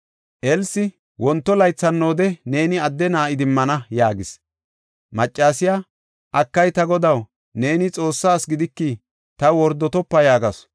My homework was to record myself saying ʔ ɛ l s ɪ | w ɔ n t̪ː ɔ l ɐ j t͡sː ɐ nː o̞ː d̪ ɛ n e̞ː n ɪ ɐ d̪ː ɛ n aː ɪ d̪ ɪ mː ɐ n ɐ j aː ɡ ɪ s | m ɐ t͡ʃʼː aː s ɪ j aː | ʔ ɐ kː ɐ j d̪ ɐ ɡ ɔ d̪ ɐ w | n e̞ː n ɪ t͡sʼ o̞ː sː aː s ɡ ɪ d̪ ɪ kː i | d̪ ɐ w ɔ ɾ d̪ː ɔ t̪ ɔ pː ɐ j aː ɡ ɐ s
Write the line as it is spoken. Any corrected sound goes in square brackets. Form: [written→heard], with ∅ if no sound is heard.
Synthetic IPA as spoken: ʔ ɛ l s ɪ | w ɔ n t̪ː ɔ l ɐ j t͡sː ɐ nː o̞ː d̪ ɛ n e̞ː n ɪ ɐ d̪ː ɛ n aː ɪ d̪ ɪ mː ɐ n ɐ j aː ɡ ɪ s | m ɐ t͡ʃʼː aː s ɪ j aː | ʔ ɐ kː ɐ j [d̪→t̪] ɐ ɡ ɔ d̪ ɐ w | n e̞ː n ɪ t͡sʼ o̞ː sː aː s ɡ ɪ d̪ ɪ kː i | [d̪→t̪] ɐ w ɔ ɾ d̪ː ɔ t̪ ɔ pː ɐ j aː ɡ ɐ s